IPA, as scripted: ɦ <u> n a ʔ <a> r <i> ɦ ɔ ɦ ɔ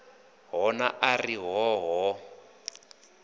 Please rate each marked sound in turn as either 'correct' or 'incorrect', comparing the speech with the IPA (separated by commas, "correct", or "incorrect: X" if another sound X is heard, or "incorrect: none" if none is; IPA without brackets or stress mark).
incorrect: ɔ, correct, correct